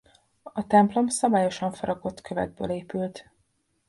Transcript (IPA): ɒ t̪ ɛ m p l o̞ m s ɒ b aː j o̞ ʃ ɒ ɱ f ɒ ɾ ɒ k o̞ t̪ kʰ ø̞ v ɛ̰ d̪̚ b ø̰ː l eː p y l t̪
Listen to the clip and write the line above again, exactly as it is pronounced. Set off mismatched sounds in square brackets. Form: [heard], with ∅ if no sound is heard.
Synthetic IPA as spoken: ɒ t̪ ɛ m p l o̞ m s ɒ b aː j o̞ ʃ ɒ ɱ f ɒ ɾ ɒ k o̞ t̪ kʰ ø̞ v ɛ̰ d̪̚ b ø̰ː l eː p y l t̪